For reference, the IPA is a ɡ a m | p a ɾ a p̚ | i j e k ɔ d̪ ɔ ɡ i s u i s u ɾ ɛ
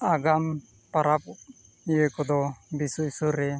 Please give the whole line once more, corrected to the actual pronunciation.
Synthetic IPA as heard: a ɡ a m | p a ɾ a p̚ | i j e k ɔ d̪ ɔ b i s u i s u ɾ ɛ